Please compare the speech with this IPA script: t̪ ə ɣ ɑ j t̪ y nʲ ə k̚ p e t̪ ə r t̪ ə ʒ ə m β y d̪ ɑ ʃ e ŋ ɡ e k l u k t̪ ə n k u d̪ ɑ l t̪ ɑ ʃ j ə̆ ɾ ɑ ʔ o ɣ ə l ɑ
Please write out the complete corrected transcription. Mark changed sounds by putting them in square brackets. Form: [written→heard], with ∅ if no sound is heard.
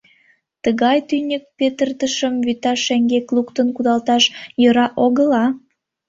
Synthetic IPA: t̪ ə ɣ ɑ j t̪ y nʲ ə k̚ p e t̪ ə r t̪ ə [ʒ→ʃ] ə m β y [d̪→t̪] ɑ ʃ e ŋ ɡ e k l u k t̪ ə n k u d̪ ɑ l t̪ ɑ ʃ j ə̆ ɾ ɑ ʔ o ɣ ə l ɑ